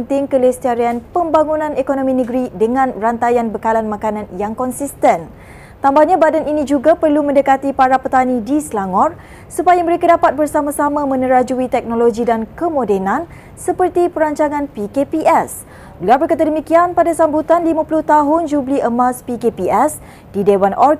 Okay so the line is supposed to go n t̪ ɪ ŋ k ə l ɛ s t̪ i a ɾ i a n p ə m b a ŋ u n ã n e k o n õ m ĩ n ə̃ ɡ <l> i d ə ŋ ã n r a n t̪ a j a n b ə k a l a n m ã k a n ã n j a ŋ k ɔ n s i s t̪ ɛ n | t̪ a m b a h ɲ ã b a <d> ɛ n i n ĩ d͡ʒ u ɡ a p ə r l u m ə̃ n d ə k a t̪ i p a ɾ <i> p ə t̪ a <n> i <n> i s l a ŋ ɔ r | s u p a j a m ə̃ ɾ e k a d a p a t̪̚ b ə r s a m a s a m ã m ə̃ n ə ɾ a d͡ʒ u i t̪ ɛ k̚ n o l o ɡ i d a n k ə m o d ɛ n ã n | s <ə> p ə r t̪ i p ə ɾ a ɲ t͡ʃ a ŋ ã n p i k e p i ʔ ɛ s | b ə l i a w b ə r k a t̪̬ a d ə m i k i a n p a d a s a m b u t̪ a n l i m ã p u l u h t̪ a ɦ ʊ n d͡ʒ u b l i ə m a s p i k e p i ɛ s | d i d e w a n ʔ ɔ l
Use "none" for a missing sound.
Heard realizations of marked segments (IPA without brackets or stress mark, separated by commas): ɾ, d, a, n, d, ə